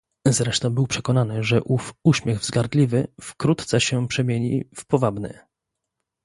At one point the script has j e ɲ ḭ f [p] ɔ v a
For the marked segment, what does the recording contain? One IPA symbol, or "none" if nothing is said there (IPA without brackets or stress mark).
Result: p